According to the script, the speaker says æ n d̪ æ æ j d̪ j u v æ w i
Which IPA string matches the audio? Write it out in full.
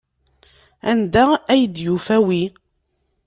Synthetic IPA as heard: æ n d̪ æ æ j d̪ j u f æ w i